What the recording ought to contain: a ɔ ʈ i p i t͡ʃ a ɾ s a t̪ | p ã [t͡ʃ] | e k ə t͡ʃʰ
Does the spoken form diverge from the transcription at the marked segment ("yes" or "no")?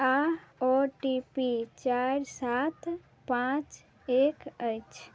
no